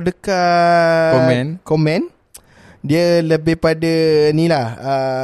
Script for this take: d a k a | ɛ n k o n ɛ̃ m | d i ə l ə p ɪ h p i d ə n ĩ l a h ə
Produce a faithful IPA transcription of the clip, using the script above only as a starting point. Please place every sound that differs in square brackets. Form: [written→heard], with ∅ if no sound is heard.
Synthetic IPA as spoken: d [a→ə] k a | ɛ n k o [n→m] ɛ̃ [m→n] | d i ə l ə [p→b] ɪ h p [i→a] d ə n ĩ l a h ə